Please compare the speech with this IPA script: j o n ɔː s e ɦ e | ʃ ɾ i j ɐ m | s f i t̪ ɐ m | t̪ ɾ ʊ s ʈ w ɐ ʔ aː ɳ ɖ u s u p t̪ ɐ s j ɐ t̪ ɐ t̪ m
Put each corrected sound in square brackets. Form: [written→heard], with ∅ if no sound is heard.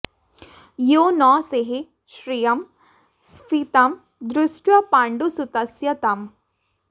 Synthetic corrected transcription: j o n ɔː s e ɦ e | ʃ ɾ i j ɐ m | s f i t̪ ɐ m | [t̪→d̪] ɾ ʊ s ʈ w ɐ [ʔ→p] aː ɳ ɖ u s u [p→∅] t̪ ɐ s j ɐ t̪ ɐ [t̪→∅] m